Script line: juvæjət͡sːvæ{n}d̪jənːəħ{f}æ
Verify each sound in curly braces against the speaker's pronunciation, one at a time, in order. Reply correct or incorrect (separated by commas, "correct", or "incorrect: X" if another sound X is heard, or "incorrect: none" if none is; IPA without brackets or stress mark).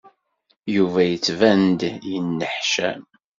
correct, incorrect: ʃ